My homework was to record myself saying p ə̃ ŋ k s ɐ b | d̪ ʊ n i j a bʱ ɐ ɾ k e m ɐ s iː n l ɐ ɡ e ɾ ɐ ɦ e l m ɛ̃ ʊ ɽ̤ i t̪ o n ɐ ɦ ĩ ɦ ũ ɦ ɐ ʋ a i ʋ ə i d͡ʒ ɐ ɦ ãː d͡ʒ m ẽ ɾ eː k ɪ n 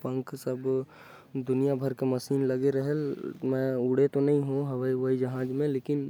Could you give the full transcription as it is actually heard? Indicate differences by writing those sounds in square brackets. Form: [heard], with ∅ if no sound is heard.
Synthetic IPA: p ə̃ ŋ k s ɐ b | d̪ ʊ n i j a bʱ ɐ ɾ k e m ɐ s iː n l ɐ ɡ e ɾ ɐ ɦ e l m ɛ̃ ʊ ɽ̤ [e] t̪ o n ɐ ɦ ĩ ɦ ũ ɦ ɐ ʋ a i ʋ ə i d͡ʒ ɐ ɦ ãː d͡ʒ m ẽ [l] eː k ɪ n